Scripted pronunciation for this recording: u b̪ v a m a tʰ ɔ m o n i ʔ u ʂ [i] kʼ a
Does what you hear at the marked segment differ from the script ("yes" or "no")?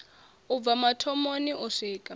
yes